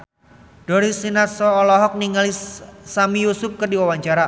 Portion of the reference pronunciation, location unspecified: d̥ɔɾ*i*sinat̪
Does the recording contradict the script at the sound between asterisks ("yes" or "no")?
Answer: no